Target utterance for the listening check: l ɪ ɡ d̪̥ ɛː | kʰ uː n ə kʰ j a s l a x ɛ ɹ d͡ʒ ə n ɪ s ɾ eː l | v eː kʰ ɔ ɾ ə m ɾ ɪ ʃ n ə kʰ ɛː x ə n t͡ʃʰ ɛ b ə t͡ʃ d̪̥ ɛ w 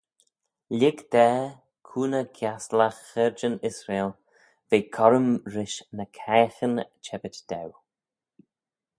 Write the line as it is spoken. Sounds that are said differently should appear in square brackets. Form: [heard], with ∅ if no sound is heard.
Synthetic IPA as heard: l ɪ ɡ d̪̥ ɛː | kʰ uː n ə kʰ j a s l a x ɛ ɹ d͡ʒ ə n ɪ s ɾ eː l | v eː kʰ ɔ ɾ ə m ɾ ɪ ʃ n ə kʰ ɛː x ə n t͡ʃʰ ɛ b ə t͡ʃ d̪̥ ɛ w